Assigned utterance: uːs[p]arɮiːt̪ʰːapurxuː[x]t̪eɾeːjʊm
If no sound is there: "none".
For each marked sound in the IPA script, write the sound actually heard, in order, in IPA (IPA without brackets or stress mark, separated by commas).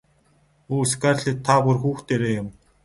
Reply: k, x